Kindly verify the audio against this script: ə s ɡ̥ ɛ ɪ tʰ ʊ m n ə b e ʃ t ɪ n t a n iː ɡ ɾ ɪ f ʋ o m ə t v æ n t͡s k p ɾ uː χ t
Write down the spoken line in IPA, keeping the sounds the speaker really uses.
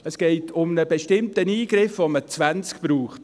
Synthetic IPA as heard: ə s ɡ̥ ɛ ɪ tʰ ʊ m n ə b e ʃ t ɪ m t ə n iː ɡ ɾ ɪ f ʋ o m ə t͡s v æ n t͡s k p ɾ uː χ t